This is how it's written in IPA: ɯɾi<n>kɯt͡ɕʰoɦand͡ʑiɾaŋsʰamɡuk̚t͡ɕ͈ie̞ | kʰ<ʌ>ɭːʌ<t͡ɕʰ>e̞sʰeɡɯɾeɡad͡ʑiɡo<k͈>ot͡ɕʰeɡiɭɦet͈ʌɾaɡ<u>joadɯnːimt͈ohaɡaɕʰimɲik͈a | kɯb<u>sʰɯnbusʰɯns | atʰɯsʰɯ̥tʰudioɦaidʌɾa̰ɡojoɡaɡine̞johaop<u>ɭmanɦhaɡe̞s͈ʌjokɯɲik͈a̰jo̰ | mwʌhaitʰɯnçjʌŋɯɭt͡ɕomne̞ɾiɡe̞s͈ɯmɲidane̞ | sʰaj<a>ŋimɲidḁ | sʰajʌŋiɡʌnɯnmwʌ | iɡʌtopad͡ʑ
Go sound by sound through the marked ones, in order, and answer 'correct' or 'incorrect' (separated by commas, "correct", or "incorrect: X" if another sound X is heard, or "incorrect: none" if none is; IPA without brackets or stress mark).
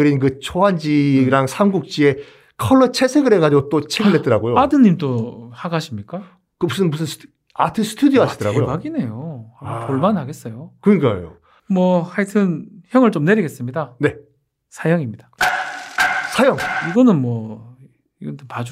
correct, correct, correct, incorrect: t͈, incorrect: o, correct, incorrect: o, incorrect: ʌ